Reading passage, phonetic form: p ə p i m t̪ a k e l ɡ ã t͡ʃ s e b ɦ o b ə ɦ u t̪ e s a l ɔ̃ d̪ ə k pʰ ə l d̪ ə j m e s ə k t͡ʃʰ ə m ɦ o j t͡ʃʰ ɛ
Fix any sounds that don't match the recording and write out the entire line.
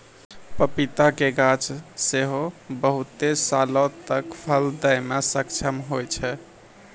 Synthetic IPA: p ə p i t̪ a k e ɡ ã t͡ʃ s e ɦ o b ə ɦ u t̪ e s a l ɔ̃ t̪ ə k pʰ ə l d̪ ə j m e s ə k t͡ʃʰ ə m ɦ o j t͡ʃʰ ɛ

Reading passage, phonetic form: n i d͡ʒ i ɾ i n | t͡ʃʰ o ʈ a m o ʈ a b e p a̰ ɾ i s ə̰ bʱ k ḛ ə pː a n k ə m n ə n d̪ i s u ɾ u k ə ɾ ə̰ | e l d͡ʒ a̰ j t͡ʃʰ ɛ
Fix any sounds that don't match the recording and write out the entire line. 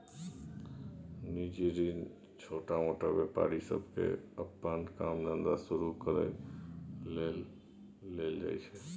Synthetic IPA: n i d͡ʒ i ɾ i n | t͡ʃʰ o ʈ a m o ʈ a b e p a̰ ɾ i s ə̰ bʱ k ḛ ə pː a n k a m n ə n d̪ a s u ɾ u k ə ɾ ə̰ | e l d͡ʒ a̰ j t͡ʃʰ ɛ

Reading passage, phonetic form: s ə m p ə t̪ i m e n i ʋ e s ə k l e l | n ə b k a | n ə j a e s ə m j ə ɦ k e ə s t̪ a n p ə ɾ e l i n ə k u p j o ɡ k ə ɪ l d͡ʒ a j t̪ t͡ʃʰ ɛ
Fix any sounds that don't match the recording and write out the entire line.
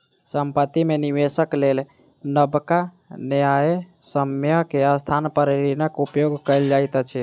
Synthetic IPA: s ə m p ə t̪ i m e n i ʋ e s ə k l e l | n ə b k a | n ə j a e s ə m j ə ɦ k e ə s t̪ʰ a n p ə ɾ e ɾ i n ə k u p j o ɡ k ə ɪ l d͡ʒ a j t̪ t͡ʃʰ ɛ

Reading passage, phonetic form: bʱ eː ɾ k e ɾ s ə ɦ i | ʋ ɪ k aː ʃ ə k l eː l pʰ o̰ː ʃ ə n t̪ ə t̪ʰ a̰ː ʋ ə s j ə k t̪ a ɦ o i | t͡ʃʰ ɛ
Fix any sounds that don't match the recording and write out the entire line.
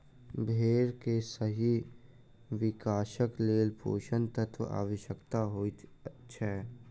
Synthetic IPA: bʱ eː ɾ k e s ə ɦ i | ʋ ɪ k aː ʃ ə k l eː l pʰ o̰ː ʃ ə n t̪ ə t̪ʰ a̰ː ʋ ə ʃ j ə k t̪ a ɦ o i | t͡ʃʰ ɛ

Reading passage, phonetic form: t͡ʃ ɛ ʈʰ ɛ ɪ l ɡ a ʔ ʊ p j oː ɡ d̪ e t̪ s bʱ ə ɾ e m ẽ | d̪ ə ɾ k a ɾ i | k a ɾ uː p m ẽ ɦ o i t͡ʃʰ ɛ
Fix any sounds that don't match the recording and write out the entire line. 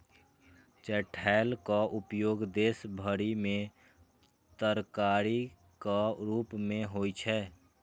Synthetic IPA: t͡ʃ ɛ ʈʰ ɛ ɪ l k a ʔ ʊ p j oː ɡ d̪ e s bʱ ə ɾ i m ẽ | t̪ ə ɾ k a ɾ i | k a ɾ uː p m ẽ ɦ o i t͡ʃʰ ɛ

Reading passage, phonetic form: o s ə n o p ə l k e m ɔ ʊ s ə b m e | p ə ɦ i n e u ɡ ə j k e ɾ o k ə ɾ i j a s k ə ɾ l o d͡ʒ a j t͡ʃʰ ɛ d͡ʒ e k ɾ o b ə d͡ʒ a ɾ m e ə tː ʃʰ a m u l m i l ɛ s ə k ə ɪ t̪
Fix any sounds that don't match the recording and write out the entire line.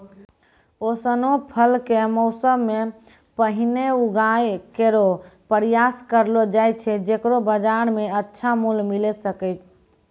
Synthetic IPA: o s ə n o pʰ ə l k e m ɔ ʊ s ə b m e | p ə ɦ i n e u ɡ a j k e ɾ o p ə ɾ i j a s k ə ɾ l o d͡ʒ a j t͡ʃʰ ɛ d͡ʒ e k ɾ o b ə d͡ʒ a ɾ m e ə tː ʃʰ a m u l m i l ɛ s ə k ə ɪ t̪

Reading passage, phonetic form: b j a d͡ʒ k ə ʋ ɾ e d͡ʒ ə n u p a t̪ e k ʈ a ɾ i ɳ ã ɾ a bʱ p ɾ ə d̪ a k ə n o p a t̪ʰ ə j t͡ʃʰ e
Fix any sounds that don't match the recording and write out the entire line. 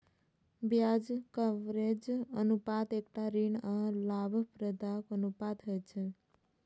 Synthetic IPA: b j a d͡ʒ k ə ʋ ɾ e d͡ʒ ə n u p a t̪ e k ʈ a ɾ i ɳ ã l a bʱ p ɾ ə d̪ a k ə n u p a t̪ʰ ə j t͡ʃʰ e

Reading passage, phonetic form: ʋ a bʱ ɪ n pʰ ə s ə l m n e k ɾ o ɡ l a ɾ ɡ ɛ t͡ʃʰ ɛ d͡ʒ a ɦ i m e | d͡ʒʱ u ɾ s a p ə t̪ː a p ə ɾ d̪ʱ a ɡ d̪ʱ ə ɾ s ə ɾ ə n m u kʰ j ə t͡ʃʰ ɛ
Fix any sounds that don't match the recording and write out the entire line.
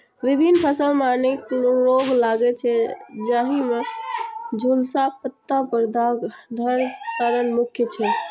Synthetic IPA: ʋ i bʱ i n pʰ ə s ə l m n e k ɾ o ɡ l a ɡ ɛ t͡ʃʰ ɛ d͡ʒ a ɦ i m e | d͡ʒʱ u l s a p ə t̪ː a p ə ɾ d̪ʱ a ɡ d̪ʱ ə ɾ s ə ɾ ə n m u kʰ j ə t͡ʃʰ ɛ

